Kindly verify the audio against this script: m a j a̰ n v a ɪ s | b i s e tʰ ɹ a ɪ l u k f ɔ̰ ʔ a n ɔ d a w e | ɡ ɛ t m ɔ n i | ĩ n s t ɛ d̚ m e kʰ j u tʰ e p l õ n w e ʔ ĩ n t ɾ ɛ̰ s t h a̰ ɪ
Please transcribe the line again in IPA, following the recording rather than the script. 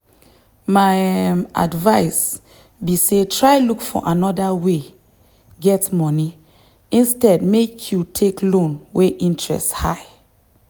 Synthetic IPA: m a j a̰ d v a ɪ s | b i s e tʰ ɹ a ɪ l u k f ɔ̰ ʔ a n ɔ d a w e | ɡ ɛ t m ɔ n i | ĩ n s t ɛ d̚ m e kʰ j u tʰ e k l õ n w e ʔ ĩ n t ɹ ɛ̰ s t h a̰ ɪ